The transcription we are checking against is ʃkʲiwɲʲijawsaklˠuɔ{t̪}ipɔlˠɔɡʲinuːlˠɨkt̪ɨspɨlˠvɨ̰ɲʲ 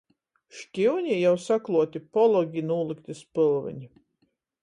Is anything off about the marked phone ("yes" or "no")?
no